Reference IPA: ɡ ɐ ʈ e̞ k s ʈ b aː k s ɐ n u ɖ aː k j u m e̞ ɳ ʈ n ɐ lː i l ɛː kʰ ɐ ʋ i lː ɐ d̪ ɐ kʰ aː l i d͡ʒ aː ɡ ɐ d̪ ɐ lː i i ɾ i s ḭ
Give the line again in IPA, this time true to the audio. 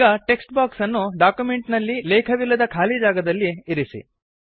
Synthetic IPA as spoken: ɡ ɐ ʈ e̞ k s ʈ b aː k s ɐ nː u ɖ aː k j u m e̞ ɳ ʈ n ɐ lː i l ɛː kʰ ɐ ʋ i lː ɐ d̪ ɐ kʰ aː l i d͡ʒ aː ɡ ɐ d̪ ɐ lː i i ɾ i s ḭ